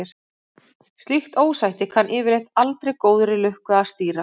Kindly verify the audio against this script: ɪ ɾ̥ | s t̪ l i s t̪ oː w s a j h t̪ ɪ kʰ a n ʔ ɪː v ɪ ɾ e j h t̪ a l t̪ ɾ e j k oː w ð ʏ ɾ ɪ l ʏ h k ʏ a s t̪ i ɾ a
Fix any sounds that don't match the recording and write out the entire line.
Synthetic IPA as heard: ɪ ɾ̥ | s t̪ l i x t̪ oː w s a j h t̪ ɪ kʰ a n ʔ ɪː v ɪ ɾ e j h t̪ a l t̪ ɾ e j k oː w ð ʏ ɾ ɪ l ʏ h k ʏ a s t̪ iː ɾ a